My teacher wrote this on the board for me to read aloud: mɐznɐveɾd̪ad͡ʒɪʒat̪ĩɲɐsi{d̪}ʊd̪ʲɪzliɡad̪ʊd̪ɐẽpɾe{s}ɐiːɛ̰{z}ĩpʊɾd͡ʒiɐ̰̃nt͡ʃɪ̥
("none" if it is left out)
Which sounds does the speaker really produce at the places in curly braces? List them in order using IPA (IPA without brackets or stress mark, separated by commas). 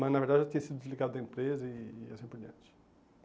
d̪, z, s